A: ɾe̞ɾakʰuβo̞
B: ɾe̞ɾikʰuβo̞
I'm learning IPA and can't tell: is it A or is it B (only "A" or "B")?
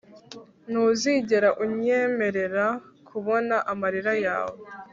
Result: A